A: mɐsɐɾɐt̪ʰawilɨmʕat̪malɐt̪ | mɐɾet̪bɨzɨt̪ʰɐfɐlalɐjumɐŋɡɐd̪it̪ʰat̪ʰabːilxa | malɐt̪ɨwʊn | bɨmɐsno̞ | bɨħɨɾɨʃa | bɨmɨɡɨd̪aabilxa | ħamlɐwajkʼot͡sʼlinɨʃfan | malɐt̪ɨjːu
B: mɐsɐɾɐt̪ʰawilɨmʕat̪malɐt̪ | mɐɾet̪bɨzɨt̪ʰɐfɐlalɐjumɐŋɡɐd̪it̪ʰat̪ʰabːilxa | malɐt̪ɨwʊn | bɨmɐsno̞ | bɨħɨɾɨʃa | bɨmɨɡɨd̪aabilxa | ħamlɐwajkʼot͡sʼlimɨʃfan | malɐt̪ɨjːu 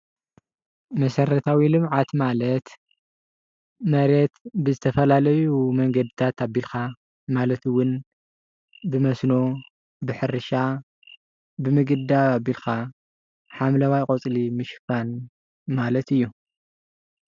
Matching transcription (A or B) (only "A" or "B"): B